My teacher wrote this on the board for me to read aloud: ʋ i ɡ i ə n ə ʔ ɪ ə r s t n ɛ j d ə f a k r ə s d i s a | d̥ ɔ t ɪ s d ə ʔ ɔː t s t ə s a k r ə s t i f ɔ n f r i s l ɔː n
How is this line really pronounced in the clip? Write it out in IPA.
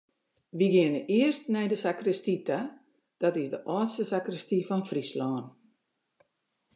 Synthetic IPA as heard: ʋ i ɡ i ə n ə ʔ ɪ ə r s t n ɛ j d ə s a k r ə s t i t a | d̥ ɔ t ɪ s d ə ʔ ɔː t s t ə s a k r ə s t i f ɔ n f r i s l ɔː n